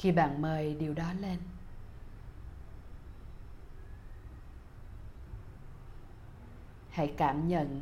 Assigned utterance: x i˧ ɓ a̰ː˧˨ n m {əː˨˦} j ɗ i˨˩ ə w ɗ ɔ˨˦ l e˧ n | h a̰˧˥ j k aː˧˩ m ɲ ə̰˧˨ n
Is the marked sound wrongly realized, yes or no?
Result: yes